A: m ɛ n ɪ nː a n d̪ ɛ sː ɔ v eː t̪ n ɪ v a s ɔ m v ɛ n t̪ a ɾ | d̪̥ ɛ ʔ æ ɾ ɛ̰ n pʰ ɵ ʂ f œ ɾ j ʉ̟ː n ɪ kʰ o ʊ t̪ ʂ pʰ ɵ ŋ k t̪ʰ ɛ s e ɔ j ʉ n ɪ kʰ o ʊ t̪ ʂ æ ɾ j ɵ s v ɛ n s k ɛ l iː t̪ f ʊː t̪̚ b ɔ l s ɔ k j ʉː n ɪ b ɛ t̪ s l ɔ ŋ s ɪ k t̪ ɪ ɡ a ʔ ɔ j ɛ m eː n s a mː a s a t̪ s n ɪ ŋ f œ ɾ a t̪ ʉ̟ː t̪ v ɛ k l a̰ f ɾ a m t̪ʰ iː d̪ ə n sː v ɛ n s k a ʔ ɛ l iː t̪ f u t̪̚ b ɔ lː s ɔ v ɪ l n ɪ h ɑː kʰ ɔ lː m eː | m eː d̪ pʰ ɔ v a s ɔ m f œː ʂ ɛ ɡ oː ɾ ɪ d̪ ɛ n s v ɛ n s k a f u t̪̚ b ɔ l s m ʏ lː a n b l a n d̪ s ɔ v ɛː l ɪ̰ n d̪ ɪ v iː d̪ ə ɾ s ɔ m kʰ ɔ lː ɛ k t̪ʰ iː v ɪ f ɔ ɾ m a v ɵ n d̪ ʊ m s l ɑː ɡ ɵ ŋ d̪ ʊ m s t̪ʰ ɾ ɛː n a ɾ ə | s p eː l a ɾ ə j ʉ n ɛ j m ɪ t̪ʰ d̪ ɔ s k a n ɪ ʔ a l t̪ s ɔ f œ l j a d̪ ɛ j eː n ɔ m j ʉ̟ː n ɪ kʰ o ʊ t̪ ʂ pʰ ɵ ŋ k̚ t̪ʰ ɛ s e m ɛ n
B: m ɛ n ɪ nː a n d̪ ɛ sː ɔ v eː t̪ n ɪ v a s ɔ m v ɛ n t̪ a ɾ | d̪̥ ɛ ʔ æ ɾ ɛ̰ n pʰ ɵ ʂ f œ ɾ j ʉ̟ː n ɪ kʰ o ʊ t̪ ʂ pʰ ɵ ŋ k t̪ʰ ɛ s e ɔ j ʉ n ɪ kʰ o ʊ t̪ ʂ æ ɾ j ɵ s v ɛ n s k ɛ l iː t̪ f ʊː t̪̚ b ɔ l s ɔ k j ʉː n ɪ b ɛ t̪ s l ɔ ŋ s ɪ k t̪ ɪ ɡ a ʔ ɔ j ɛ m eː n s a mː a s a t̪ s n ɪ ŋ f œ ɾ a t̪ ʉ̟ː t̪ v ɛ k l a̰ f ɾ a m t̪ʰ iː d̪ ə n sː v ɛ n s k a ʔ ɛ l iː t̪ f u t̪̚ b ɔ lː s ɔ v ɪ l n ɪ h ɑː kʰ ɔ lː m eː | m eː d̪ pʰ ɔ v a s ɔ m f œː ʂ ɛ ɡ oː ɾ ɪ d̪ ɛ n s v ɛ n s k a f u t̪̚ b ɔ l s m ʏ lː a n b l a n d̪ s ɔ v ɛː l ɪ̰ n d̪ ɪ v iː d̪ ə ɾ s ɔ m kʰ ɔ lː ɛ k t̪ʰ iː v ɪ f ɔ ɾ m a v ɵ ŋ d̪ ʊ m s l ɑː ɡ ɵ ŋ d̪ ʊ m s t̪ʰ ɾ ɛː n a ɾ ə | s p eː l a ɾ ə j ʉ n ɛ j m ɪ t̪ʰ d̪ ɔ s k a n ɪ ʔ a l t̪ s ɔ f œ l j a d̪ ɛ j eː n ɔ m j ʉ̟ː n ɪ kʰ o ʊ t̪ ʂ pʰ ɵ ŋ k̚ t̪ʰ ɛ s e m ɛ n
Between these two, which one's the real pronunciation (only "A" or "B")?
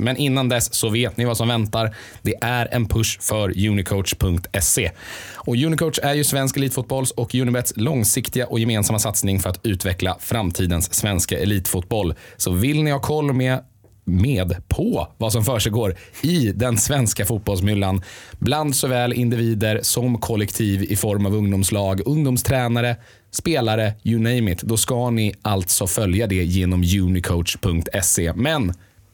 B